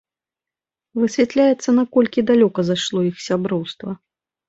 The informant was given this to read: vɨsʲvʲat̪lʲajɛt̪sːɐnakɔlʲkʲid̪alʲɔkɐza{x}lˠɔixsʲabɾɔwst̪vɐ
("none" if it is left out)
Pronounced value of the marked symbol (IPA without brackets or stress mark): ʂ